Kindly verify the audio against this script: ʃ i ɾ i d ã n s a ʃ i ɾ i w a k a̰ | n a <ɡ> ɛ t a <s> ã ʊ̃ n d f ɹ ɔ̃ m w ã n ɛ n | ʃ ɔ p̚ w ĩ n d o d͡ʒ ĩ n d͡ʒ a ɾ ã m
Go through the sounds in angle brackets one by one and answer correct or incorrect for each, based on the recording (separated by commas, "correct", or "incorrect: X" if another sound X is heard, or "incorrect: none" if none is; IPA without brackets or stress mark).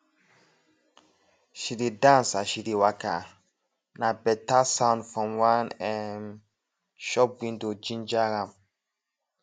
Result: incorrect: b, correct